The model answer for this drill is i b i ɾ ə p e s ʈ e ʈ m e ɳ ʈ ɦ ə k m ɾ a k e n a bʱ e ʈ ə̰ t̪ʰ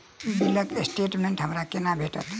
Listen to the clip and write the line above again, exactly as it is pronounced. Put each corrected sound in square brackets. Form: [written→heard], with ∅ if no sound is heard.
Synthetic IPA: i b i [ɾ→l] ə [p→k] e s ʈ e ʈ m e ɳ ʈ ɦ ə [k→∅] m ɾ a k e n a bʱ e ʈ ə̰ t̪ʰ